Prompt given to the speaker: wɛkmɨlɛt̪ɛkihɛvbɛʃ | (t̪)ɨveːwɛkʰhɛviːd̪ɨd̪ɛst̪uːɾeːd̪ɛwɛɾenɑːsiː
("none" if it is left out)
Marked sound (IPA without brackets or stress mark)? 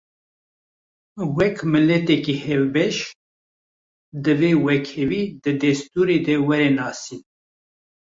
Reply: d̪